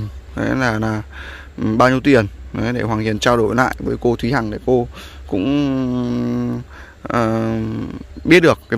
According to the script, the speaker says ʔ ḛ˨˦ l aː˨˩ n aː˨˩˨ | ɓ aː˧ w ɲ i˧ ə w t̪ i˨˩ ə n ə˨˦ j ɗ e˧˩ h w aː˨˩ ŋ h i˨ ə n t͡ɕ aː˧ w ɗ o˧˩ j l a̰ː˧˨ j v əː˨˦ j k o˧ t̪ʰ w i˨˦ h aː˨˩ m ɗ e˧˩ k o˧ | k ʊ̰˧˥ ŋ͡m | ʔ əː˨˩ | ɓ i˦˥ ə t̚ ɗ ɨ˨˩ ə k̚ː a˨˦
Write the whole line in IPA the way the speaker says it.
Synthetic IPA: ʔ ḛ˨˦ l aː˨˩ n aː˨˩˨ | ɓ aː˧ w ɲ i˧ ə w t̪ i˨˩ ə n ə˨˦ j ɗ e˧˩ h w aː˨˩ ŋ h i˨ ə n t͡ɕ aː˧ w ɗ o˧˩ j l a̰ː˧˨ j v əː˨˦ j k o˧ t̪ʰ w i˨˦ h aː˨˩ ŋ ɗ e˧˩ k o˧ | k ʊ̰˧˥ ŋ͡m | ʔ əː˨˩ | ɓ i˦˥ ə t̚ ɗ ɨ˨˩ ə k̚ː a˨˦